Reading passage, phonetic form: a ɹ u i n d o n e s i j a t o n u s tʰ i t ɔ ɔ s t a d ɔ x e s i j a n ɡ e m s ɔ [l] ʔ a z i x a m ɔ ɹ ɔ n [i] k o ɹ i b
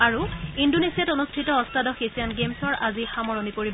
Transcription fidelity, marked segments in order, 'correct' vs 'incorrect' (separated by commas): incorrect, correct